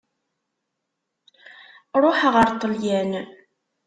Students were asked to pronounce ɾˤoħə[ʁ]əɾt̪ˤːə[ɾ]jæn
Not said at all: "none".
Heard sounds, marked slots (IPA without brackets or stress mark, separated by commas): ʁ, l